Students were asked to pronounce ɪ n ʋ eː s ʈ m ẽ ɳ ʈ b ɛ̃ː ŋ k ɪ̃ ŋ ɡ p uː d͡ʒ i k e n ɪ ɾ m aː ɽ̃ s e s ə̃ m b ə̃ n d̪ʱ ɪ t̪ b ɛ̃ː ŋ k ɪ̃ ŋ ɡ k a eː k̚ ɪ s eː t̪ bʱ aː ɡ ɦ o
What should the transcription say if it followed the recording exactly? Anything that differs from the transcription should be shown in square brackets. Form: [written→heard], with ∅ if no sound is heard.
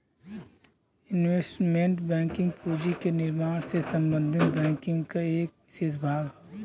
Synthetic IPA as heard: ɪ n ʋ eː s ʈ m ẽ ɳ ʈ b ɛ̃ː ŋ k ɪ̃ ŋ ɡ p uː d͡ʒ i k e n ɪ ɾ m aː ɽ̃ s e s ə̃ m b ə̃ n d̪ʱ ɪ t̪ b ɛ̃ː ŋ k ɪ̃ ŋ ɡ k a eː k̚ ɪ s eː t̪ bʱ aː ɡ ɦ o